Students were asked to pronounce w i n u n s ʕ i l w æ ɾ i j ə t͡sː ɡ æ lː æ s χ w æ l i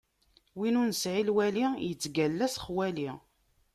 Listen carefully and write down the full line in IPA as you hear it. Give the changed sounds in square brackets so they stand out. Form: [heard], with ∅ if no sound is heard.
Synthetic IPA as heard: w i n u n s ʕ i l w æ [l] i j ə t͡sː ɡ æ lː æ s χ w æ l i